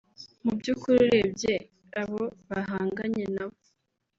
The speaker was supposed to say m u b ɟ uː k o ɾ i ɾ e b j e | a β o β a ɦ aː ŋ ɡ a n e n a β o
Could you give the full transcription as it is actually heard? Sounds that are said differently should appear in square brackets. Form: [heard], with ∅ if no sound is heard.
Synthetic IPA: m u b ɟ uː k [u] ɾ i ɾ e b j e | a β o β a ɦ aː ŋ ɡ a [ɲ] e n a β o

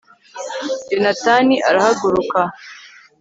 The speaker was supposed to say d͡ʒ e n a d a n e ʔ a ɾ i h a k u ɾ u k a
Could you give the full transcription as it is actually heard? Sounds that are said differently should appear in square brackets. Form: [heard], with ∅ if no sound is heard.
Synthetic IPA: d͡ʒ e n a [t] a n [i] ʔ a ɾ [a] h a [ɡ] u ɾ u k a

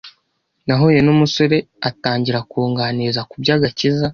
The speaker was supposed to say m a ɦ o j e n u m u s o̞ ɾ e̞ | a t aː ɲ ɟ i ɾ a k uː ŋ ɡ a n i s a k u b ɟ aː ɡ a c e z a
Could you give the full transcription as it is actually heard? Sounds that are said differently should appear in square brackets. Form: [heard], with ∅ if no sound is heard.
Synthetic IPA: [n] a ɦ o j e n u m u s o̞ ɾ e̞ | a t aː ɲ ɟ i ɾ a k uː ŋ ɡ a n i [z] a k u b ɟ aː ɡ a c [i] z a

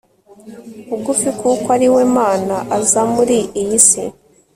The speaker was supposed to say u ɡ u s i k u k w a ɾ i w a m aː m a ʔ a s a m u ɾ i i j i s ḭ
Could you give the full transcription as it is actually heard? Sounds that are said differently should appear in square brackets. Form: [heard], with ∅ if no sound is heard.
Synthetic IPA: u ɡ u [f] i k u k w a ɾ i w [e] m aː [n] a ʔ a [z] a m u ɾ i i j i s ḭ

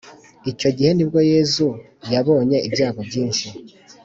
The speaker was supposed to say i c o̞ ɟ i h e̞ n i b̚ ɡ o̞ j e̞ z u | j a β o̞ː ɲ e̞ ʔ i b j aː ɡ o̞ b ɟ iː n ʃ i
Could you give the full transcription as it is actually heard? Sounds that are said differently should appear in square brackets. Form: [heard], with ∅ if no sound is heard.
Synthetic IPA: i c o̞ ɟ i h e̞ n i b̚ ɡ o̞ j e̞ z u | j a β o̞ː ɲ e̞ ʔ i b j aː ɡ o̞ b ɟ iː n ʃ i

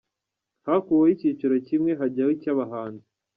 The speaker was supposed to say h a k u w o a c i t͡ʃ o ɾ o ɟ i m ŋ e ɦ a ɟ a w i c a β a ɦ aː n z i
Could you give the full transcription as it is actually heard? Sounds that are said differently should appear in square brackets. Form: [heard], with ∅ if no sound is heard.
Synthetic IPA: h a k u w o [i] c i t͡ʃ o ɾ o [c] i m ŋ e ɦ a ɟ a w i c a β a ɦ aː n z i

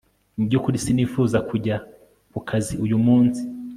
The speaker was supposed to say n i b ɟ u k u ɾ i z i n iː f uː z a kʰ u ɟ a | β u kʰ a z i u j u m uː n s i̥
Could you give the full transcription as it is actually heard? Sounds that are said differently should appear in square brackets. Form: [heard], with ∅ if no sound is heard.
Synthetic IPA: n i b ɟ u k u ɾ i [s] i n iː f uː z a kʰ u ɟ a | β u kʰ a z i u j u m uː n s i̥

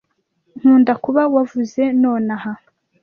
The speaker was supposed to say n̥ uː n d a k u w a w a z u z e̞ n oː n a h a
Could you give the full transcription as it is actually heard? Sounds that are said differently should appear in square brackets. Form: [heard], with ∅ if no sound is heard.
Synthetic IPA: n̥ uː n d a k u [β] a w a [v] u z e̞ n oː n a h a

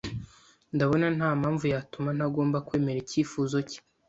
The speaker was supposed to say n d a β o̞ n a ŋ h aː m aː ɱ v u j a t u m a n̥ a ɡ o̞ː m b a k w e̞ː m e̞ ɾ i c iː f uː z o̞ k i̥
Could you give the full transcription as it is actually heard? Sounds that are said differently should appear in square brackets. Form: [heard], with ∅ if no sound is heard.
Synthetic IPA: n d a β o̞ n a [n] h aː m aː ɱ v u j a t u m a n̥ a ɡ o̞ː m b a k w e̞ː m e̞ ɾ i c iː f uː z o̞ [c] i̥

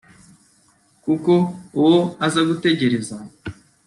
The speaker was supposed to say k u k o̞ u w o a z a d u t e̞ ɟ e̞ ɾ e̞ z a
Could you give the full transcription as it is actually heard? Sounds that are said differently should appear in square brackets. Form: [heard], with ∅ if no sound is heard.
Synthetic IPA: k u k o̞ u w o a z a [ɡ] u t e̞ ɟ e̞ ɾ e̞ z a

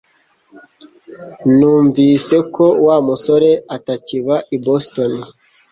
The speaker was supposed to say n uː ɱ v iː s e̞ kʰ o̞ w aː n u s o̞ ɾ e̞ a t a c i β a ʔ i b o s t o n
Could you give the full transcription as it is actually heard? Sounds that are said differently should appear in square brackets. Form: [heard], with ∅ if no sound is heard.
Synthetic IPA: n uː ɱ v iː s e̞ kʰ o̞ w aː [m] u s o̞ ɾ e̞ a t a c i β a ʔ i b o s t o n

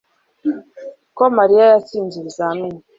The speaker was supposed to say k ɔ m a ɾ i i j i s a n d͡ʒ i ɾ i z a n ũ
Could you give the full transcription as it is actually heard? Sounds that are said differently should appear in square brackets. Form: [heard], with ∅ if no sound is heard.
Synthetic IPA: k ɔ m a ɾ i [a] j [a] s [i] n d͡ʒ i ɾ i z a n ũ

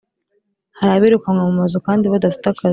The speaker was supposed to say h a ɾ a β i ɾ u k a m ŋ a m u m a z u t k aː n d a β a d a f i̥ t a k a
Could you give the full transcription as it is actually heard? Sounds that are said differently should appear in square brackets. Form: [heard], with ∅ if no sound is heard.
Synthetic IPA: h a ɾ a β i ɾ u k a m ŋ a m u m a z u [∅] k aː n d [i] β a d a f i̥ t a k a

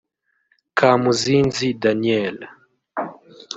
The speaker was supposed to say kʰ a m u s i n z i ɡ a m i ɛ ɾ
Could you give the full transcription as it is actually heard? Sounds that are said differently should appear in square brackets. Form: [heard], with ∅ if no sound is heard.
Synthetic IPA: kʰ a m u [z] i n z i [d] a [n] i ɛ [l]

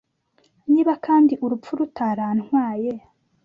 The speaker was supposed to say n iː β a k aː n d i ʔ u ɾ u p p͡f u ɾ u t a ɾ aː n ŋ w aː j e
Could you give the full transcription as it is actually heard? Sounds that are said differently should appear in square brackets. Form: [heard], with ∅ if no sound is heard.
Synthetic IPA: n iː β a k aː n d i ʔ u ɾ u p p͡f u ɾ u t a ɾ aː n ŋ w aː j e

